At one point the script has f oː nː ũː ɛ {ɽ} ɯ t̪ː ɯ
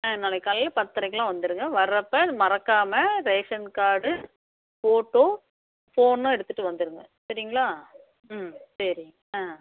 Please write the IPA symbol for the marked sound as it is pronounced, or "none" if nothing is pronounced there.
ɽ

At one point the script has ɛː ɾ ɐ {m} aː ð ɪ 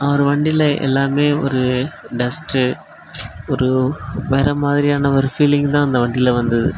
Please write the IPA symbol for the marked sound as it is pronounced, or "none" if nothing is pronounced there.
m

